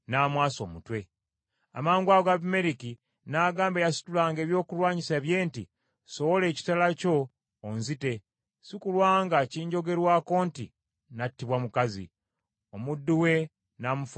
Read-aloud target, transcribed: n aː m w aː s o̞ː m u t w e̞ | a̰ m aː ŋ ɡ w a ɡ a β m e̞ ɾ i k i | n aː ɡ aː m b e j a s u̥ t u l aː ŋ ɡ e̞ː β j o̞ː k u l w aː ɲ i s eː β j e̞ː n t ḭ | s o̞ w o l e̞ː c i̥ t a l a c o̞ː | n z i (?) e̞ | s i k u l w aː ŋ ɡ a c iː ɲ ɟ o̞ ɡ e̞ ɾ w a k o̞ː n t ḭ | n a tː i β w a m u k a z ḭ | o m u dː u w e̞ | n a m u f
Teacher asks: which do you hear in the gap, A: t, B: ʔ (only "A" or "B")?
A